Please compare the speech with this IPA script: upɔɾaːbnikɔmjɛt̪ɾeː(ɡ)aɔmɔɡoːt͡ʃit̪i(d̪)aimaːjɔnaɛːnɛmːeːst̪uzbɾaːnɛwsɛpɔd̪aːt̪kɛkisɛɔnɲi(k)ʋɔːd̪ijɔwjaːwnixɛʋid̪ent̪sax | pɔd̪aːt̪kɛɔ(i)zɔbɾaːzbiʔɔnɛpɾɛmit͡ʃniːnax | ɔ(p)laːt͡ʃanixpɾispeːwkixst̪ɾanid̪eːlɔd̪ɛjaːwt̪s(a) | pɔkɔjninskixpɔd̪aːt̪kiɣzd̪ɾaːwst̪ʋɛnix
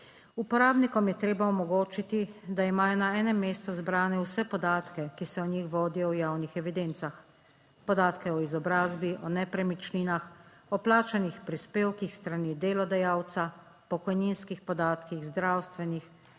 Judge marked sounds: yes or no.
no, yes, no, yes, yes, yes

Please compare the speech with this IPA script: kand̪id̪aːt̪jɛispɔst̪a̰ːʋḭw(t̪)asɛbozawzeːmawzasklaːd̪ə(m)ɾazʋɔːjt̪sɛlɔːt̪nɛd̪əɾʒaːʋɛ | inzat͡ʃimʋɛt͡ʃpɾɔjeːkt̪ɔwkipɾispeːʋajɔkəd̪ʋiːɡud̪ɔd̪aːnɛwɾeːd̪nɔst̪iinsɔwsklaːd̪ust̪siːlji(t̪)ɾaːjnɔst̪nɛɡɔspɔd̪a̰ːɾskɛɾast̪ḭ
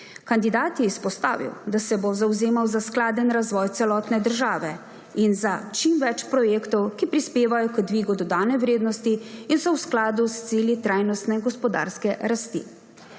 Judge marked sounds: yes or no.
no, no, yes

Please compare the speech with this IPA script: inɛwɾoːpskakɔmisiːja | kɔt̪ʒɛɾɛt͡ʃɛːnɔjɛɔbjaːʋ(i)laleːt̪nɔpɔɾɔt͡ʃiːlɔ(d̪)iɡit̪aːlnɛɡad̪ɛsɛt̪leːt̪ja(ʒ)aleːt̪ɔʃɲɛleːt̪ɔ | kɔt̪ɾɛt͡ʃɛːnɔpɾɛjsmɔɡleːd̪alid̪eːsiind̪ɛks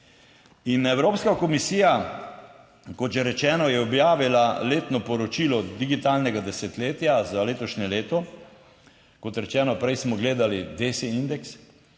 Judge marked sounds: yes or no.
yes, yes, no

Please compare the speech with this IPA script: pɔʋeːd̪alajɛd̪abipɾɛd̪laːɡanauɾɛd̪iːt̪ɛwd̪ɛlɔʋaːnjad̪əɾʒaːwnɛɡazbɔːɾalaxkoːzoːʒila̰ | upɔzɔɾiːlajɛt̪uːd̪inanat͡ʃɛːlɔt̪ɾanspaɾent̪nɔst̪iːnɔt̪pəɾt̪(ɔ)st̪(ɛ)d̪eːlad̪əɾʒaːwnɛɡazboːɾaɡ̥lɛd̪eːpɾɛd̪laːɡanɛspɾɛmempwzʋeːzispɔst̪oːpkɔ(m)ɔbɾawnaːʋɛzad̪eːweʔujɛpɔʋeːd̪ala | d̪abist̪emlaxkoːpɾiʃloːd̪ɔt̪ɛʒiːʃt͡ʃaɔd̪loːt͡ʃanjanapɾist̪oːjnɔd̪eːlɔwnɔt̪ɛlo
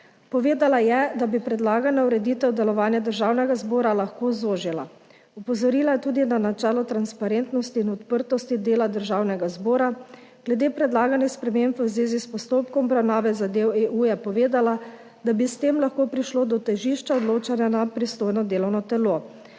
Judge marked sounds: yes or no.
yes, no, yes

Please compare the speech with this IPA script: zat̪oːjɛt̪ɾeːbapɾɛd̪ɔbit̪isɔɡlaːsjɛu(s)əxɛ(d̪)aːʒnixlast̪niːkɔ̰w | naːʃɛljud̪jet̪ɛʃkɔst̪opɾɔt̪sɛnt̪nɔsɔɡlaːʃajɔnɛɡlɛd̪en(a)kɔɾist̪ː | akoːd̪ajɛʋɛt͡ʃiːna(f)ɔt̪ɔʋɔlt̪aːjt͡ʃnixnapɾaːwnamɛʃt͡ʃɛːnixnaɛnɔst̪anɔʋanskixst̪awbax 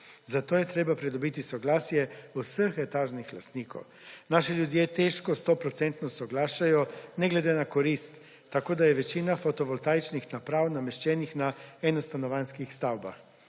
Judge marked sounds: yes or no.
yes, no, yes, yes

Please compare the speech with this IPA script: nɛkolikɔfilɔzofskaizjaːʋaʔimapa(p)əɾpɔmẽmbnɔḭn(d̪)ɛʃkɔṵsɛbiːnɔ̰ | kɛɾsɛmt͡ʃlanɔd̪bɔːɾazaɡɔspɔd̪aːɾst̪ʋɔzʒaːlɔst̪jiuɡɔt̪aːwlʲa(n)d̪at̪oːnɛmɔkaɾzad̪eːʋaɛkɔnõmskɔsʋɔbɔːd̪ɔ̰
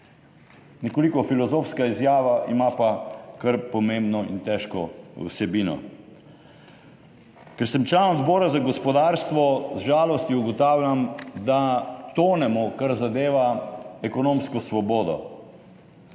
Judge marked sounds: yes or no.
no, no, no

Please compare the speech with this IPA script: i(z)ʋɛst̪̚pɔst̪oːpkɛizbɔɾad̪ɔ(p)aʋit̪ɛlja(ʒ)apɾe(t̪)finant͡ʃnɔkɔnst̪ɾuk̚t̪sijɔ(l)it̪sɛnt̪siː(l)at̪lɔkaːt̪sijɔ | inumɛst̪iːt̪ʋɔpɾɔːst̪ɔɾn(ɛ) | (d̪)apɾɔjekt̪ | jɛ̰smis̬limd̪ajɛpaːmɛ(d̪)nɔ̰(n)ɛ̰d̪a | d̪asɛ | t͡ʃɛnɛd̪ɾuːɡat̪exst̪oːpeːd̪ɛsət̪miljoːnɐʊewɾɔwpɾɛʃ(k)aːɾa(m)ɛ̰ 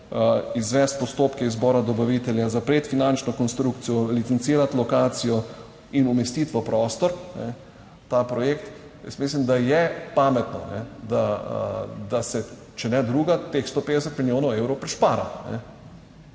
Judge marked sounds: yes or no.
yes, no, no, yes, yes, no, yes, no, no, yes, no, no

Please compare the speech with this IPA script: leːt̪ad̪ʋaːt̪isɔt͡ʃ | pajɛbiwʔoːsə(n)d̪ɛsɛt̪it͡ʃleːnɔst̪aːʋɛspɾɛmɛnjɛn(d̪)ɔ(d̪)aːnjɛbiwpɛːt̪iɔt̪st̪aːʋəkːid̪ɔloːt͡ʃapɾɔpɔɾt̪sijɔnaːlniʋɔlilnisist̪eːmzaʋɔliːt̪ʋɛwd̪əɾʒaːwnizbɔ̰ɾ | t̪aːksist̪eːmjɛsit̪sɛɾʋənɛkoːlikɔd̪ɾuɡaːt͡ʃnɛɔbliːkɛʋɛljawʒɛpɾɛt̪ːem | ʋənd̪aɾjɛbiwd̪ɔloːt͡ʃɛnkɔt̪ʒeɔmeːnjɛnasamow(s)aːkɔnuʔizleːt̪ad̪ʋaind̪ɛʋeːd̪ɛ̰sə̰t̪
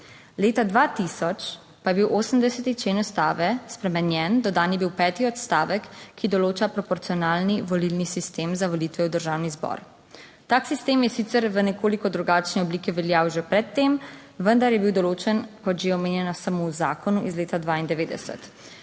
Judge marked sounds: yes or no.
no, yes, yes, no

